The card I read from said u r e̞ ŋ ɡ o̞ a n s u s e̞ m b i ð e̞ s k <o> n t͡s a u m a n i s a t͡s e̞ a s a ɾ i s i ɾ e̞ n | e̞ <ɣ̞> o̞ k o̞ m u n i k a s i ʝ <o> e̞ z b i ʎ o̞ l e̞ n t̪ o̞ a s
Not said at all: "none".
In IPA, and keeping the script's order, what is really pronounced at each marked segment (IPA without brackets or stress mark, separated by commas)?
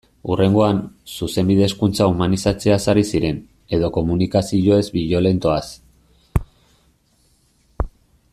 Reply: u, ð̞, o